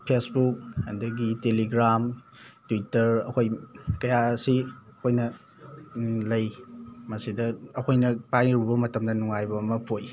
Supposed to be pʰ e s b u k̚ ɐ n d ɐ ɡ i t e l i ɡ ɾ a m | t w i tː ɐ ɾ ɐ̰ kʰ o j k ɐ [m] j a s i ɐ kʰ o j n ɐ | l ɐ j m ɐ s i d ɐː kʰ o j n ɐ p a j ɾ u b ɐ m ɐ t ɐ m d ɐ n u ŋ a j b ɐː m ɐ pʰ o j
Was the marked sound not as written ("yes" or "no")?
yes